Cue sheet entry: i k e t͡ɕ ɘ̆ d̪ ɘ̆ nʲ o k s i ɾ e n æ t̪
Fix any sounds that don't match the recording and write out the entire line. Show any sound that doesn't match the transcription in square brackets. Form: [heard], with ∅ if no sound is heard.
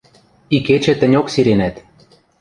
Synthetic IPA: i k e t͡ɕ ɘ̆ [t̪] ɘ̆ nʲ o k s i ɾ e n æ t̪